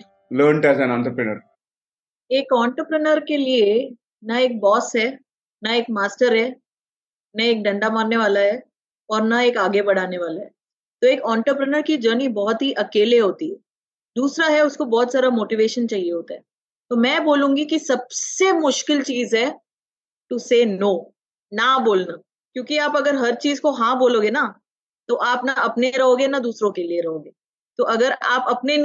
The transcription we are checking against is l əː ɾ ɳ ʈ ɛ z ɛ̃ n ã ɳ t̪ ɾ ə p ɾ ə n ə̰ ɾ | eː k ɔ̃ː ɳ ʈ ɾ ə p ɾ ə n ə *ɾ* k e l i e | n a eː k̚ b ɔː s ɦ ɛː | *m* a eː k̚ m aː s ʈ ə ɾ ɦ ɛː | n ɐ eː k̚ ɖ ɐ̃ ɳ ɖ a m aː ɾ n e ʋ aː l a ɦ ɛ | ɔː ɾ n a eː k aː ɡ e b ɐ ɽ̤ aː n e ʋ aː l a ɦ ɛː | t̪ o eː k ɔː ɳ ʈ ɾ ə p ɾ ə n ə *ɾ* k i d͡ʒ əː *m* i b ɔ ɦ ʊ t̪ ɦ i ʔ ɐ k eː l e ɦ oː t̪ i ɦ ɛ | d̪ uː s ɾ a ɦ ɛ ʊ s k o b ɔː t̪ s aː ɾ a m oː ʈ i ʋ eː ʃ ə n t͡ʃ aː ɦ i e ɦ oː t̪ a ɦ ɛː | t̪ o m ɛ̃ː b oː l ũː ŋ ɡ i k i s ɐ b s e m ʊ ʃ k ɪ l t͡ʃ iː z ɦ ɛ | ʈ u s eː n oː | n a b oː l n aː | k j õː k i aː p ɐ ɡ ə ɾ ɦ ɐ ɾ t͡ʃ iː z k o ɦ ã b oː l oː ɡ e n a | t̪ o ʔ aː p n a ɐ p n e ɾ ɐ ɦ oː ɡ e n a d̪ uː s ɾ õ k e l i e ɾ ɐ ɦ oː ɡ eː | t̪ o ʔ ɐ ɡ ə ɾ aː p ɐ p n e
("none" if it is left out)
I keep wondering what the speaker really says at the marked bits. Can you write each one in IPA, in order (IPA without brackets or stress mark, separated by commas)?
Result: ɾ, n, ɾ, n